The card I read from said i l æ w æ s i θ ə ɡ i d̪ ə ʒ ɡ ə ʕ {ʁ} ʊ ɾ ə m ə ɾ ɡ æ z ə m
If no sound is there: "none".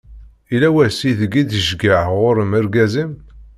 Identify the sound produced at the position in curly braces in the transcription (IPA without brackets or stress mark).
ʁ